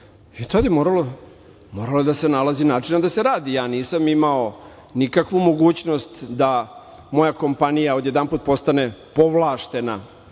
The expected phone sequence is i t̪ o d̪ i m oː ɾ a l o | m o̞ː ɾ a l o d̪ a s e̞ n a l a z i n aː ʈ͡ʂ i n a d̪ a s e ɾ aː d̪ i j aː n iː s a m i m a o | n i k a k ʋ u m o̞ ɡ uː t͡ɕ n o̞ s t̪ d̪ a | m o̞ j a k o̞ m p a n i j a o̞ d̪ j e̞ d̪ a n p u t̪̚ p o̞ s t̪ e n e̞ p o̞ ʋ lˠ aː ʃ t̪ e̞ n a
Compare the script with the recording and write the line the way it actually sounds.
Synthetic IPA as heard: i t̪ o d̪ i m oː ɾ a l o | m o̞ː ɾ a l o d̪ a s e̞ n a l a z i n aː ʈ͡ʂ i n a d̪ a s e ɾ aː d̪ i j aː n iː s a m i m a o | n i k a k ʋ u m o̞ ɡ uː t͡ɕ n o̞ s t̪ d̪ a | m o̞ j a k o̞ m p a n i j a o̞ d̪ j e̞ d̪ a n p u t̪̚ p o̞ s t̪ a n e̞ p o̞ ʋ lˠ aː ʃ t̪ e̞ n a

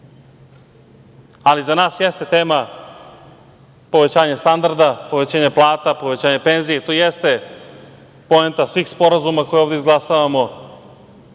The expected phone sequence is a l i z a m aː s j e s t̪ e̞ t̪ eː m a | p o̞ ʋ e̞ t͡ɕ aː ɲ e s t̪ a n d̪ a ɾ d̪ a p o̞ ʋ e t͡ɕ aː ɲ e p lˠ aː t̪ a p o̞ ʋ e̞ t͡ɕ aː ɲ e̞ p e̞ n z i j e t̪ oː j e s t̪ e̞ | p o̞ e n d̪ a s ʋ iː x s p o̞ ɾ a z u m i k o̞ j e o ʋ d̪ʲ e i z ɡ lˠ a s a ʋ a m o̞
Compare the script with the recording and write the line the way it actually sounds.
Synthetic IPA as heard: a l i z a n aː s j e s t̪ e̞ t̪ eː m a | p o̞ ʋ e̞ t͡ɕ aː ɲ e s t̪ a n d̪ a ɾ d̪ a p o̞ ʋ e t͡ɕ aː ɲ e p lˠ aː t̪ a p o̞ ʋ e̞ t͡ɕ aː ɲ e̞ p e̞ n z i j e t̪ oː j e s t̪ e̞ | p o̞ e n t̪ a s ʋ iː x s p o̞ ɾ a z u m a k o̞ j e o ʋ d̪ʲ e i z ɡ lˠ a s a ʋ a m o̞

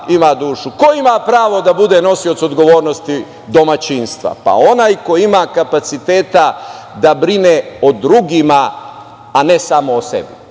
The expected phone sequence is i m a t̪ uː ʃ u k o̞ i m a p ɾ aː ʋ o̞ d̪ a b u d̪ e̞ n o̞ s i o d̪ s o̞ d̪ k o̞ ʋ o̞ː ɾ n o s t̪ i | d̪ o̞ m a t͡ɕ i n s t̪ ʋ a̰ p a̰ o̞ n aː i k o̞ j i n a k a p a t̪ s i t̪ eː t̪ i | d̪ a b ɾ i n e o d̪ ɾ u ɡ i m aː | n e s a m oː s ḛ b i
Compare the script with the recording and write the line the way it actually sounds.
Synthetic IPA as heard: i m a d̪ uː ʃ u k o̞ i m a p ɾ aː ʋ o̞ d̪ a b u d̪ e̞ n o̞ s i o t̪ s o̞ d̪ ɡ o̞ ʋ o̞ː ɾ n o s t̪ i | d̪ o̞ m a t͡ɕ i n s t̪ ʋ a̰ p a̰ o̞ n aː j k o̞ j i m a k a p a t̪ s i t̪ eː t̪ a | d̪ a b ɾ i n e o d̪ ɾ u ɡ i m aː | n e s a m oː s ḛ b i

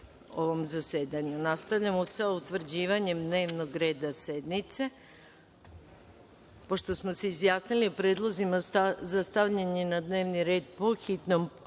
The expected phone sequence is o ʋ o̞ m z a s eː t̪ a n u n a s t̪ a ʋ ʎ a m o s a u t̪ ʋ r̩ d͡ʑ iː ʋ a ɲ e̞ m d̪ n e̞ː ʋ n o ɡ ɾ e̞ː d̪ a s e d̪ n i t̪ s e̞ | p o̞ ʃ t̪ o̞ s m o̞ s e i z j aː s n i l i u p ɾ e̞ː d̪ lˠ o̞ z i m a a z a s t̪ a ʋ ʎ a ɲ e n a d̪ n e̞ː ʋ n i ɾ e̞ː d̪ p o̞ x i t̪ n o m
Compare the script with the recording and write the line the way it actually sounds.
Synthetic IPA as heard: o ʋ o̞ m z a s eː d̪ a ɲ u n a s t̪ a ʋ ʎ a m o s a u t̪ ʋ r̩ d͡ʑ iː ʋ a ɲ e̞ m d̪ n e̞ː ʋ n o ɡ ɾ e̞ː d̪ a s e d̪ n i t̪ s e̞ | p o̞ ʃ t̪ o̞ s m o̞ s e i z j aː s n i l i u p ɾ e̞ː d̪ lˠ o̞ z i m a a z a s t̪ a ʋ ʎ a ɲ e n a d̪ n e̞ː ʋ n i ɾ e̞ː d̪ p o̞ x i t̪ n o m

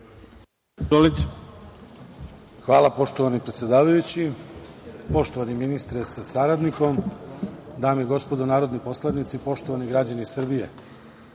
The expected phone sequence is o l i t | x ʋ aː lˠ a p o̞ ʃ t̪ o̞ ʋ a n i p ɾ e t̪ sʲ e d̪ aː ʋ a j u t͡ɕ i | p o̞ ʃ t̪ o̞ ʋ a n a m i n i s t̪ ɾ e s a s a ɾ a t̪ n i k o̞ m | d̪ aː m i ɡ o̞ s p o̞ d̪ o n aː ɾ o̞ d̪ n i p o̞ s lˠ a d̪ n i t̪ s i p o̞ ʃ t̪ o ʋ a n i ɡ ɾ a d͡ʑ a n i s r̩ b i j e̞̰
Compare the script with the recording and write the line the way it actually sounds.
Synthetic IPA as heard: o l i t | x ʋ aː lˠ a p o̞ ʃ t̪ o̞ ʋ a n i p ɾ e t̪ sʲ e d̪ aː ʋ a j u t͡ɕ i | p o̞ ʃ t̪ o̞ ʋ a n i m i n i s t̪ ɾ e s a s a ɾ a d̪ n i k o̞ m | d̪ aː m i ɡ o̞ s p o̞ d̪ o n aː ɾ o̞ d̪ n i p o̞ s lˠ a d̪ n i t̪ s i p o̞ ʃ t̪ o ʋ a n i ɡ ɾ a d͡ʑ a n i s r̩ b i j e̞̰

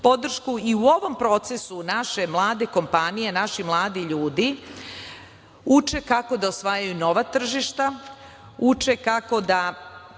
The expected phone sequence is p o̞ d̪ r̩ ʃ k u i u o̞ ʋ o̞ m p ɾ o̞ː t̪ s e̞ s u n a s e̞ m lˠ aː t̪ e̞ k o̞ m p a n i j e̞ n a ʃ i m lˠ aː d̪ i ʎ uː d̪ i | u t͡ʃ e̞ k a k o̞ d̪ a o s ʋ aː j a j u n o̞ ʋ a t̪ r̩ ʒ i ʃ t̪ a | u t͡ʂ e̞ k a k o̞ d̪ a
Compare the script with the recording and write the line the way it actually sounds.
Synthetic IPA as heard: p o̞ d̪ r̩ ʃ k u i u o̞ ʋ o̞ m p ɾ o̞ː t̪ s e̞ s u n a ʃ e̞ m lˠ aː d̪ e̞ k o̞ m p a n i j e̞ n a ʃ i m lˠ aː d̪ i ʎ uː d̪ i | u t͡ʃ e̞ k a k o̞ d̪ a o s ʋ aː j a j u n o̞ ʋ a t̪ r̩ ʒ i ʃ t̪ a | u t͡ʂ e̞ k a k o̞ d̪ a

